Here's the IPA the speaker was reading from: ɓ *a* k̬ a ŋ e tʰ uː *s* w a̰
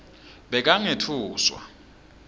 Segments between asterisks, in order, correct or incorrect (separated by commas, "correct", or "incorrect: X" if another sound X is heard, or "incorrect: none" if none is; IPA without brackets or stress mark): incorrect: ɛ, correct